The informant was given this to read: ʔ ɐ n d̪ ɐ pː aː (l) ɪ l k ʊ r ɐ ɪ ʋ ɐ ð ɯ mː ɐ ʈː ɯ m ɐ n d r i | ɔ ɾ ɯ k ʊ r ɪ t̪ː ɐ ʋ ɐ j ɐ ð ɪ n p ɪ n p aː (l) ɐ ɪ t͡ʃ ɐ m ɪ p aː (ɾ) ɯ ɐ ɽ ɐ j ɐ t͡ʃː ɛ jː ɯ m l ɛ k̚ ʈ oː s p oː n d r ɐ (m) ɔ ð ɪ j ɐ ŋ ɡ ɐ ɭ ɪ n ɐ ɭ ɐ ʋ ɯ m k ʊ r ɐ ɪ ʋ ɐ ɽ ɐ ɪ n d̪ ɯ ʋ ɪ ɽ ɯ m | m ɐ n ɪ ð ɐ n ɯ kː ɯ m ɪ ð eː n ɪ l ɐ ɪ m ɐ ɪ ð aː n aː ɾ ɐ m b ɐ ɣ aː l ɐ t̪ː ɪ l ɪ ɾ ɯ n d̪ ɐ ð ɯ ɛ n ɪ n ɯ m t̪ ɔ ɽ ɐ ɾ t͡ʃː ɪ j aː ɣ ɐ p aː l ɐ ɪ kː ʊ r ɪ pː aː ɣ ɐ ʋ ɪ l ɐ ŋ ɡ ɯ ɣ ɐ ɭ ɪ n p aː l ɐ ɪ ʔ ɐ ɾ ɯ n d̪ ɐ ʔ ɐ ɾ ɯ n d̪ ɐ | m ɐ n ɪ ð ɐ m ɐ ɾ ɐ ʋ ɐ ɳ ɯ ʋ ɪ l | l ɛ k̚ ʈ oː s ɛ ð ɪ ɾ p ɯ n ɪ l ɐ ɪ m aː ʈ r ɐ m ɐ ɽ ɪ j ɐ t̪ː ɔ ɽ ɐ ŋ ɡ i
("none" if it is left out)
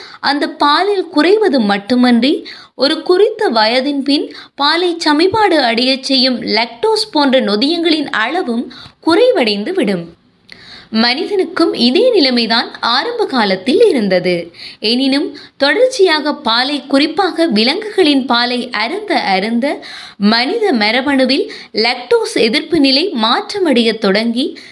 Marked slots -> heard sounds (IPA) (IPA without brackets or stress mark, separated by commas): l, l, ɽ, n